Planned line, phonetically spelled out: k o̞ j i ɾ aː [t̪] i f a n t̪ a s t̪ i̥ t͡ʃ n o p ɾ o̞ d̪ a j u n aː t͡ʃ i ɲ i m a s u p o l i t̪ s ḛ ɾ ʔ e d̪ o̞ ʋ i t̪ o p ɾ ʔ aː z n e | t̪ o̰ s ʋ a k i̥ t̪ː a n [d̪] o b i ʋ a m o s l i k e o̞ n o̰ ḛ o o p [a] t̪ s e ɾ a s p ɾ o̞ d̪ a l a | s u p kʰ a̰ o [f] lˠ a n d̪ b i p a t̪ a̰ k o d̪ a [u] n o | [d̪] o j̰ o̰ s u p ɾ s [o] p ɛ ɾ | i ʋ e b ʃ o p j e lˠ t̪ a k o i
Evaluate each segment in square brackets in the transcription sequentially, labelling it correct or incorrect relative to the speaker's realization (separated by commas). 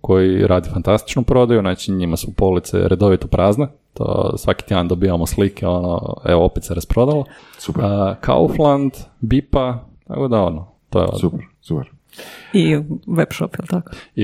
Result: incorrect, correct, incorrect, correct, incorrect, incorrect, incorrect